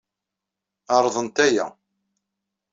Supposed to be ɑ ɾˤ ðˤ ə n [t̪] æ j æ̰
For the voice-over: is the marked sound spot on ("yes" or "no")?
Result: yes